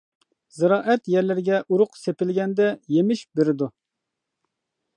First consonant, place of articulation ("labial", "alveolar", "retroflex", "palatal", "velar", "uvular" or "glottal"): alveolar